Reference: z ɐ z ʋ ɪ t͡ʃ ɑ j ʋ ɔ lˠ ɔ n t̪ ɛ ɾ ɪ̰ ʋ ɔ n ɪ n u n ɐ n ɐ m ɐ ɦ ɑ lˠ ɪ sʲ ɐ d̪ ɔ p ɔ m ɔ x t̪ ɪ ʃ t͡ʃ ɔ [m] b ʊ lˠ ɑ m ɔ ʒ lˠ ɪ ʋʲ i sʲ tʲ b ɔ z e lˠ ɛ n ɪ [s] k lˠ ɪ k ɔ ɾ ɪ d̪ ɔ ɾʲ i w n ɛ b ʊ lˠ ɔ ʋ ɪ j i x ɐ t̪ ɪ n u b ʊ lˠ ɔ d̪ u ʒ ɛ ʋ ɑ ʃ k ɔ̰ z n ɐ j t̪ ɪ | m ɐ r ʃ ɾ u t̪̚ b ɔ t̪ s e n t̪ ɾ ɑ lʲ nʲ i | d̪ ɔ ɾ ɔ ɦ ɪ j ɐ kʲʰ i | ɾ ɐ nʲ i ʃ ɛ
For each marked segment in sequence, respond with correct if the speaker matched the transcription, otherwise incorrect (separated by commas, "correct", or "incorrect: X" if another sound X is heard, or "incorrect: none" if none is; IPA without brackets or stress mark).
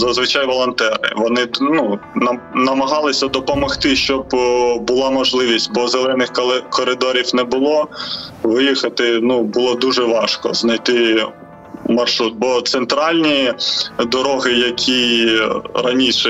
incorrect: b, incorrect: x